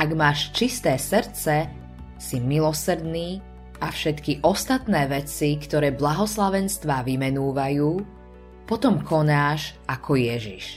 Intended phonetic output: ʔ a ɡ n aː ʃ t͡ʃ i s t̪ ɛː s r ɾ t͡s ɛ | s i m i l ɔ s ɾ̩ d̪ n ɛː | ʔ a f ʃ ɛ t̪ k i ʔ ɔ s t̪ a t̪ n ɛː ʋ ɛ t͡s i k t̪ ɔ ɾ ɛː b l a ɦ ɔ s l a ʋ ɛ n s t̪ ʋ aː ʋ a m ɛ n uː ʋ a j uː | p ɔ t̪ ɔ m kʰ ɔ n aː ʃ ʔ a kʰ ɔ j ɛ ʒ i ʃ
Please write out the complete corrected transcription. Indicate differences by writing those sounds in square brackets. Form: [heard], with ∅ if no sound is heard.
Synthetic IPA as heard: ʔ a ɡ [m] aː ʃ t͡ʃ i s t̪ ɛː s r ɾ t͡s ɛ | s i m i l ɔ s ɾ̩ d̪ n [iː] | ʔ a f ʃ ɛ t̪ k i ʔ ɔ s t̪ a t̪ n ɛː ʋ ɛ t͡s i k t̪ ɔ ɾ ɛː b l a ɦ ɔ s l a ʋ ɛ n s t̪ ʋ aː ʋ [i] m ɛ n uː ʋ a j uː | p ɔ t̪ ɔ m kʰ ɔ n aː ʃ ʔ a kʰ ɔ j ɛ ʒ i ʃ